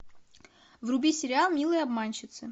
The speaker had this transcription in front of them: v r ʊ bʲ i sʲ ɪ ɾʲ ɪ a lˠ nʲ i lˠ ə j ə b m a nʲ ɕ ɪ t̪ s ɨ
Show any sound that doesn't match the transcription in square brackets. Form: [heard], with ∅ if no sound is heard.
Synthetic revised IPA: v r ʊ bʲ i sʲ ɪ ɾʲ ɪ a lˠ [mʲ] i lˠ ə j [ɐ] b m a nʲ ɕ ɪ t̪ s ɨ